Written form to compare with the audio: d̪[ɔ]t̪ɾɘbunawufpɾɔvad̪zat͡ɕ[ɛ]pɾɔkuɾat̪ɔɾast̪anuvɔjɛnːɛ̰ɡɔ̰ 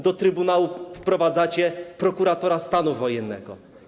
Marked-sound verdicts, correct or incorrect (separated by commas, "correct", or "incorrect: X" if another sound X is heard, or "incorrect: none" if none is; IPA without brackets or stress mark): correct, correct